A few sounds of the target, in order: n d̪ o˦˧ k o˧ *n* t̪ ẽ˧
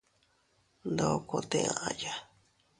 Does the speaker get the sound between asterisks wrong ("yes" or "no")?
yes